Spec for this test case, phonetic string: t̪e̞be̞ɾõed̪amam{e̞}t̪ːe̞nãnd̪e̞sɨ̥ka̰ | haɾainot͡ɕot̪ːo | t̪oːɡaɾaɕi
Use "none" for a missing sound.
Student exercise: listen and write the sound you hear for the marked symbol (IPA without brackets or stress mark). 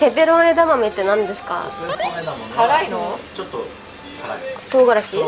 e̞